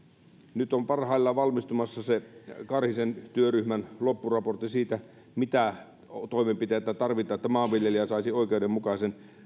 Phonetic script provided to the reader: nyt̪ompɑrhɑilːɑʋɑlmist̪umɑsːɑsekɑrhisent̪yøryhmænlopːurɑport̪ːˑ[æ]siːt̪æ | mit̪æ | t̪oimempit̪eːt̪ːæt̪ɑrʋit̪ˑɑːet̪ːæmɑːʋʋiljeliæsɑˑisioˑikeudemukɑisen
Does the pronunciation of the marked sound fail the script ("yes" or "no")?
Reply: yes